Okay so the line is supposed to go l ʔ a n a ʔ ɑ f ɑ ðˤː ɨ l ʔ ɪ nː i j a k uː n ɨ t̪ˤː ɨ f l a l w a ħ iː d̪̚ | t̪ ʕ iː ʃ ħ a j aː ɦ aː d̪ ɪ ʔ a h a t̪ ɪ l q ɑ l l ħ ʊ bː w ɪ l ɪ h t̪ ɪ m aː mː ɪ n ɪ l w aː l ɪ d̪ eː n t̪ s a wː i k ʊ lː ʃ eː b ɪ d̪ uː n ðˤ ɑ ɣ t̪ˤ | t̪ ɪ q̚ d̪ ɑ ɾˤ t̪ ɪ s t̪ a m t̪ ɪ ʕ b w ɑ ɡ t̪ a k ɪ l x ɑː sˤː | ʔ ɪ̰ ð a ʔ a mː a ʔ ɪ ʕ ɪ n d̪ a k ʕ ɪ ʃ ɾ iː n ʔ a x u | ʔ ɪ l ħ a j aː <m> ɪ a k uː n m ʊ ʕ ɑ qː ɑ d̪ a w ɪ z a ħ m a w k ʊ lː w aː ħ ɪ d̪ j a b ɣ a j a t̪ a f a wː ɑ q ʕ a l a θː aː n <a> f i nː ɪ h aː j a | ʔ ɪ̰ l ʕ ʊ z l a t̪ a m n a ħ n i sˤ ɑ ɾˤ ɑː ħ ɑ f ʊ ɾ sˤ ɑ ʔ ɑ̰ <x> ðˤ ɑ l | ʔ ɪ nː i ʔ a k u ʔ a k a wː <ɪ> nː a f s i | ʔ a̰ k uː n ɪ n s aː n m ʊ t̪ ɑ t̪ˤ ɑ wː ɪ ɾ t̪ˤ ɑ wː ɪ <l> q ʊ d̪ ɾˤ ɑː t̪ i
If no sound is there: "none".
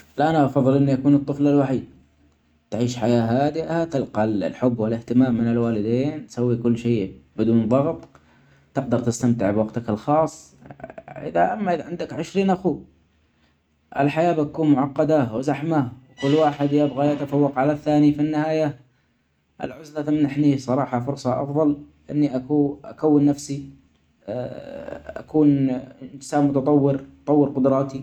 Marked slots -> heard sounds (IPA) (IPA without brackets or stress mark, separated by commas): b, i, f, ɪ, ɾ